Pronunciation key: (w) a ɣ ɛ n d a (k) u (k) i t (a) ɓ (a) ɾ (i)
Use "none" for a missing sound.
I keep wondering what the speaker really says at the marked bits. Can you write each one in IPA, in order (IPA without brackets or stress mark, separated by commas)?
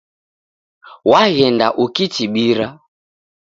w, ʔ, k, i, i, a